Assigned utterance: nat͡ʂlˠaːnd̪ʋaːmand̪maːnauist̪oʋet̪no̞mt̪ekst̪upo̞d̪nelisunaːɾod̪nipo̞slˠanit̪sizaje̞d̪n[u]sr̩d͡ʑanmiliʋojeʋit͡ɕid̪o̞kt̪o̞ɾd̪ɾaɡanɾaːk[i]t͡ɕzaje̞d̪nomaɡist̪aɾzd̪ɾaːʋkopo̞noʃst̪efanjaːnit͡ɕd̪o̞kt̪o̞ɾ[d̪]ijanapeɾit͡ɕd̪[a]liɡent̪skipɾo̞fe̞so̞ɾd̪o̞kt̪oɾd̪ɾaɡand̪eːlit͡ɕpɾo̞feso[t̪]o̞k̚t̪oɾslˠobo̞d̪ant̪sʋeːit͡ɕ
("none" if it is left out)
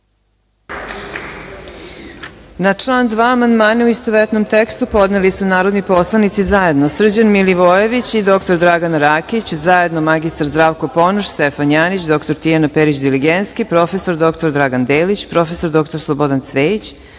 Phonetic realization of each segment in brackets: o, i, t̪, i, d̪

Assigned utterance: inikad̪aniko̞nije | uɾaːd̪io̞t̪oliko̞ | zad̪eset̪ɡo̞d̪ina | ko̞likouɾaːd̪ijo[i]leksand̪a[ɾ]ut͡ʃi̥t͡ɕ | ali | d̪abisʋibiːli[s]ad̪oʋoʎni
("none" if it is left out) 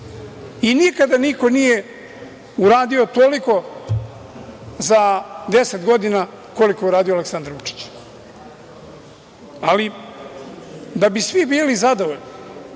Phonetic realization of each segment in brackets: a, ɾ, z

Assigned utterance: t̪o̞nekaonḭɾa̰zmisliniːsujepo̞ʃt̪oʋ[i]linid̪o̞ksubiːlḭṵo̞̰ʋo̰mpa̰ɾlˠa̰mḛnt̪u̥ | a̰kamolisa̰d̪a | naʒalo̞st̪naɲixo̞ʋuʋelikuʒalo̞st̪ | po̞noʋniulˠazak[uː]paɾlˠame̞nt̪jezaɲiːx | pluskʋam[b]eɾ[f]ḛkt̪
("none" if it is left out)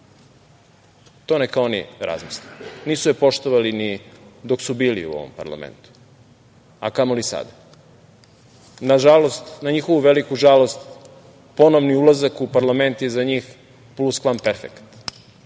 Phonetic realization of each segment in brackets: a, u, p, f

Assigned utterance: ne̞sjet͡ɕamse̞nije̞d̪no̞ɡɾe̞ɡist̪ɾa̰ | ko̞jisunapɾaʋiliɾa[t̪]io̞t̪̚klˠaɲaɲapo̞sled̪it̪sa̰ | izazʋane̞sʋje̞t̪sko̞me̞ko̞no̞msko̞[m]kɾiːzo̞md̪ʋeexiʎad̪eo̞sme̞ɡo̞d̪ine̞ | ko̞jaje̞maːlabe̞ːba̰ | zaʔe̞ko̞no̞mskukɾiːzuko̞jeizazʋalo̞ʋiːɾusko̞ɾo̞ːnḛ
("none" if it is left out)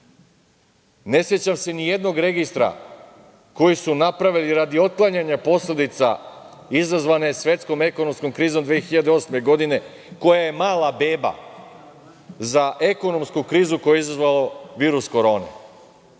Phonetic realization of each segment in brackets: d̪, m

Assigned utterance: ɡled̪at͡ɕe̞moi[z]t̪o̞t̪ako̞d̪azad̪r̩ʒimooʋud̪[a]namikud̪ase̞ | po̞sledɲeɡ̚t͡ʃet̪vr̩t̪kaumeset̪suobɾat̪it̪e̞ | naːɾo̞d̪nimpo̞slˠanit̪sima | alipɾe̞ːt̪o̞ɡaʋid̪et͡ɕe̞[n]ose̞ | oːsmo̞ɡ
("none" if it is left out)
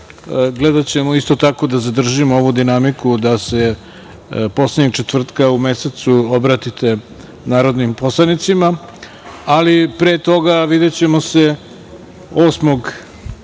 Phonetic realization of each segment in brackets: s, i, m

